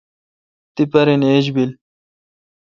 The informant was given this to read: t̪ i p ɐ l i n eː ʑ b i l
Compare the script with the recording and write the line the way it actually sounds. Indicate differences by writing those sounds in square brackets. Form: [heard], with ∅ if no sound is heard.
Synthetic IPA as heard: t̪ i p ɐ [ɾ] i n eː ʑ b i l

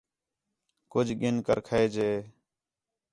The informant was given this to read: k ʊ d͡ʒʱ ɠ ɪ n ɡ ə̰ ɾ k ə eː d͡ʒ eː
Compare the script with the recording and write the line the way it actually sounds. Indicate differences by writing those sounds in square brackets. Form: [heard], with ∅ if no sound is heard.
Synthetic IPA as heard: k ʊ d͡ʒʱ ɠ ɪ n [k] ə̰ ɾ [kʰ] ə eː d͡ʒ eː

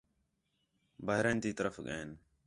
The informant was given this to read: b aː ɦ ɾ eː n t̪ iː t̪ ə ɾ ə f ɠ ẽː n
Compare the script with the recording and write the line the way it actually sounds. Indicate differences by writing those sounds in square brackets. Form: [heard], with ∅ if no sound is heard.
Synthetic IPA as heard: b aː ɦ ɾ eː n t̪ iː t̪ ə ɾ ə f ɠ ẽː n

